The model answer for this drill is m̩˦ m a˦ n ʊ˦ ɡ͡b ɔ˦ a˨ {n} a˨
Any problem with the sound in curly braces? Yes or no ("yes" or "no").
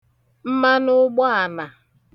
no